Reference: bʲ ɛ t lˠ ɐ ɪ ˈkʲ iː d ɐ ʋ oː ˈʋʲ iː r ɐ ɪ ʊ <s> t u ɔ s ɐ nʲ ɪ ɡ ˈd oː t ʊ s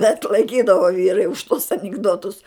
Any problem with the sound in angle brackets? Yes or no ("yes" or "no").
yes